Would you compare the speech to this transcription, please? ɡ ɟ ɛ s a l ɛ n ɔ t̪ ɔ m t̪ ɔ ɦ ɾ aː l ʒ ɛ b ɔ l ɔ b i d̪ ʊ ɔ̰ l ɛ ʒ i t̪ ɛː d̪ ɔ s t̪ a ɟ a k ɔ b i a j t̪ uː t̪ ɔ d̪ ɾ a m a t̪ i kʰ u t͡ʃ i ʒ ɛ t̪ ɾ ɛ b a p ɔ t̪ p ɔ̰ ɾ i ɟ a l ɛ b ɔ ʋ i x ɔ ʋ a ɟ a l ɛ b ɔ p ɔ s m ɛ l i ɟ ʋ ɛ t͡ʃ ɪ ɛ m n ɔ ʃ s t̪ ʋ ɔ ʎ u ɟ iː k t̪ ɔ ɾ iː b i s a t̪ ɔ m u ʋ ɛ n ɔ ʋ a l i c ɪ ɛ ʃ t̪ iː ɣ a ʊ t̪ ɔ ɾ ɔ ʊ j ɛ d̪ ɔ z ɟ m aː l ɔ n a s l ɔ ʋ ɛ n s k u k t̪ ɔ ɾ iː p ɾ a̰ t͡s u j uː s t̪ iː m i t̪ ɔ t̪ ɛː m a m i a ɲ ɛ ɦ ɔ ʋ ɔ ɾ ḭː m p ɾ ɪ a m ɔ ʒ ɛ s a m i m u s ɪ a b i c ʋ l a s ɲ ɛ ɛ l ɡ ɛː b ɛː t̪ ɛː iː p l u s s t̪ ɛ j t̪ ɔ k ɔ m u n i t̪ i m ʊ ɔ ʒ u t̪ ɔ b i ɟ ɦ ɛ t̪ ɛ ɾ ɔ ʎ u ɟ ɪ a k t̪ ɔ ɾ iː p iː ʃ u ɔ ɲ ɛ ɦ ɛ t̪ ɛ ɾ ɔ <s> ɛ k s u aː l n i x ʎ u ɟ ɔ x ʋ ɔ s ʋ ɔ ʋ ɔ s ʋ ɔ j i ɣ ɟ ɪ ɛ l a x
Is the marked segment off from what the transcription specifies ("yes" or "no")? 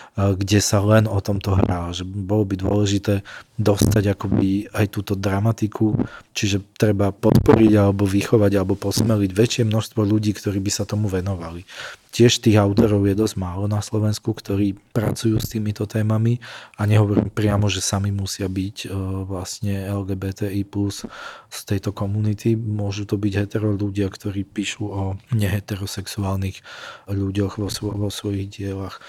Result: no